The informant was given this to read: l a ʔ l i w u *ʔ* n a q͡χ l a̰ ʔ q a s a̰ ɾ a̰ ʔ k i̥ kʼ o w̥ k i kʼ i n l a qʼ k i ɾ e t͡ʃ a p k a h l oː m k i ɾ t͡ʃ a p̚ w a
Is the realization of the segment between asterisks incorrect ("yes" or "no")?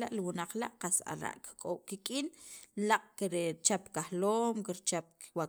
yes